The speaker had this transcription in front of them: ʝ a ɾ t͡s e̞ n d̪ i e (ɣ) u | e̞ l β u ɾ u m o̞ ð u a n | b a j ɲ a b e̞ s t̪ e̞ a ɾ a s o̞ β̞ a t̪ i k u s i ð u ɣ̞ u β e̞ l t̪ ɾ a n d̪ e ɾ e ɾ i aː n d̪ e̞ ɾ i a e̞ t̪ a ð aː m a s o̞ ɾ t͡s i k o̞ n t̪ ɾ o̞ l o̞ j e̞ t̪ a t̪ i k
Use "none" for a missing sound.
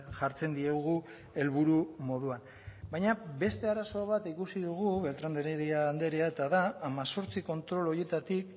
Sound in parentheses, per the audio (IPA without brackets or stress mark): ɣ